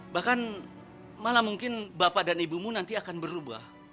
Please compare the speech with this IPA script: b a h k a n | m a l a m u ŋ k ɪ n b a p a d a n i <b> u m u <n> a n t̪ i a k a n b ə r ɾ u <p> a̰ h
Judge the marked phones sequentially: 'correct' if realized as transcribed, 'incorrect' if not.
correct, correct, incorrect

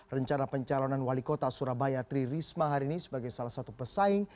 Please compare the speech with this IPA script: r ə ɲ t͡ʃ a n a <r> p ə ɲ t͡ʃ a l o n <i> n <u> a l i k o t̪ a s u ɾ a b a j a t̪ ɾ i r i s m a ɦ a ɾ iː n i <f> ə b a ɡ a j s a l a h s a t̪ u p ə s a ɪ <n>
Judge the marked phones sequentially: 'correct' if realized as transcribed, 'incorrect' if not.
incorrect, incorrect, incorrect, incorrect, incorrect

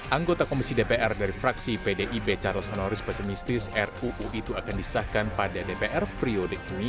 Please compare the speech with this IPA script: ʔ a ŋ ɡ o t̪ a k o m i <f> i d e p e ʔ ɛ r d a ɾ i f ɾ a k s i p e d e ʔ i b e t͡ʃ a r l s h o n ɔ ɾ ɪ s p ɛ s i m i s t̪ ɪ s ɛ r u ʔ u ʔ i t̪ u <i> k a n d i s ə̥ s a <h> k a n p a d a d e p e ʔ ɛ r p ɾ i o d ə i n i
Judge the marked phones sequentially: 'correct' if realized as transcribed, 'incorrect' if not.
incorrect, incorrect, correct

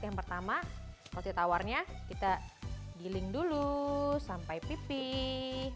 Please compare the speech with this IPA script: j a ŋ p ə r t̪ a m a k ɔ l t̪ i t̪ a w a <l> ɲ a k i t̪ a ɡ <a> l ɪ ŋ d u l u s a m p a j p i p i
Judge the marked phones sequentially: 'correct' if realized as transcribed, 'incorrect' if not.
incorrect, incorrect

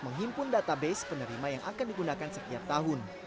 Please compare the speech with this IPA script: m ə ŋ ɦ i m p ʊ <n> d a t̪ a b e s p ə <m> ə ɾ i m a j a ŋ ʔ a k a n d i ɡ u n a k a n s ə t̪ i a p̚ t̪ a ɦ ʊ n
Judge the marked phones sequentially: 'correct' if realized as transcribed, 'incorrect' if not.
correct, incorrect

